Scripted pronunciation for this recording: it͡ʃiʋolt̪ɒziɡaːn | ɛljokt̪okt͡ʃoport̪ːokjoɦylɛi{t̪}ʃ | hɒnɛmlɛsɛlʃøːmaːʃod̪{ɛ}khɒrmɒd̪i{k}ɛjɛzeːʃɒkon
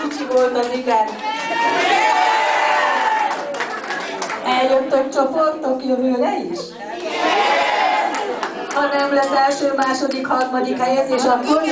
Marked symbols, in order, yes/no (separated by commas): no, no, yes